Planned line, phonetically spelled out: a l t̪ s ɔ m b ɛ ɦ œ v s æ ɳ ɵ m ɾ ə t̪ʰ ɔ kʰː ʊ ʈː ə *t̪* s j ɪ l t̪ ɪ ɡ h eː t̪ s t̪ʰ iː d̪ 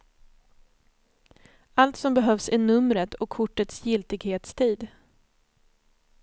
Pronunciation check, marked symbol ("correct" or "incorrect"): correct